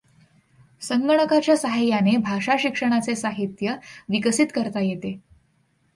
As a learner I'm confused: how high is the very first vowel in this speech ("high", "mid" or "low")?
mid